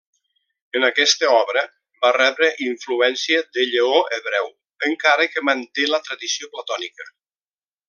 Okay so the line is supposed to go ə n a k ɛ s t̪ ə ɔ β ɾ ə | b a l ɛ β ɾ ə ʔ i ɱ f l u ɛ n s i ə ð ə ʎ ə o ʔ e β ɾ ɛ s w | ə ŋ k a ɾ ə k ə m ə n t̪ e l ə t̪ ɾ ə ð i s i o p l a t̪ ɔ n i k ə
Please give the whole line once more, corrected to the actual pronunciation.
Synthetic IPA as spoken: ə n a k ɛ s t̪ ə ɔ β ɾ ə | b a r ɛ β ɾ ə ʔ i ɱ f l u ɛ n s i ə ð ə ʎ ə o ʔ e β ɾ ɛ w | ə ŋ k a ɾ ə k ə m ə n t̪ e l ə t̪ ɾ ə ð i s i o p l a t̪ ɔ n i k ə